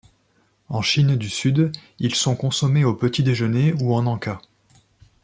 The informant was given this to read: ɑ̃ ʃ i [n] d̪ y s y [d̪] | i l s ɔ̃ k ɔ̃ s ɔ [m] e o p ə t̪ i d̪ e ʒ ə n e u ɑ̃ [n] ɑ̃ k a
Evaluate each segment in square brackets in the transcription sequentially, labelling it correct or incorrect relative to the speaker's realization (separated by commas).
correct, correct, correct, correct